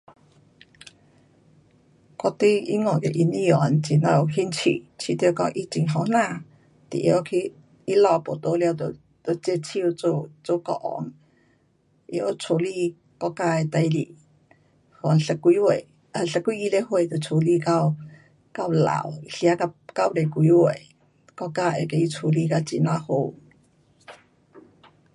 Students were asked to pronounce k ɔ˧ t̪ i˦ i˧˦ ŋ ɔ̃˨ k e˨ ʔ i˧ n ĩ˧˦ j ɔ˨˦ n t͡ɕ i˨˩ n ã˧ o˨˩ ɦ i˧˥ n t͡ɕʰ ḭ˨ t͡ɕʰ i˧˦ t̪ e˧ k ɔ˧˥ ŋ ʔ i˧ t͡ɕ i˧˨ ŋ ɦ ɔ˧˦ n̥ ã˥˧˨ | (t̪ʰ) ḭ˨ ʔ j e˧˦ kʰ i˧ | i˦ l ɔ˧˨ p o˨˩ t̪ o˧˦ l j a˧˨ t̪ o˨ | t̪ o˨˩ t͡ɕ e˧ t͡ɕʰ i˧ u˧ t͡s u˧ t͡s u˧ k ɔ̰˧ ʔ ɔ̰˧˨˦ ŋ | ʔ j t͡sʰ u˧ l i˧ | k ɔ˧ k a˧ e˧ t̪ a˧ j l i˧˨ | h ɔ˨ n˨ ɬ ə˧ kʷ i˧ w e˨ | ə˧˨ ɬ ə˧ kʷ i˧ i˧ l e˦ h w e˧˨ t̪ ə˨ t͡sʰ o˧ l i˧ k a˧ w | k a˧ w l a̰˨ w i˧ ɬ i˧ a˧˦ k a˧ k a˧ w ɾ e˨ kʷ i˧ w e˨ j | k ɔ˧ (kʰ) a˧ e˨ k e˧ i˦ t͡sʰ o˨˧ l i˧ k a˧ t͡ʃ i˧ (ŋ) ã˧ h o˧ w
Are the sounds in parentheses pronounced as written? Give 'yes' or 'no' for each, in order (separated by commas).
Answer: no, no, no